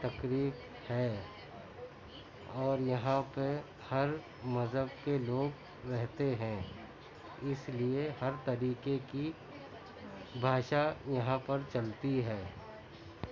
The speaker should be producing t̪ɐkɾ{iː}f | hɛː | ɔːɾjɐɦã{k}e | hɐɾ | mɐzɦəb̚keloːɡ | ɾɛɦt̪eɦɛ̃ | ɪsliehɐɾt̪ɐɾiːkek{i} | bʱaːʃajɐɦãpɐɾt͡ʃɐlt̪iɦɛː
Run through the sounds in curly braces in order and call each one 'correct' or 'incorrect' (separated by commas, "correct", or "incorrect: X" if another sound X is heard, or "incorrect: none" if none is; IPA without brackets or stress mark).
correct, incorrect: p, correct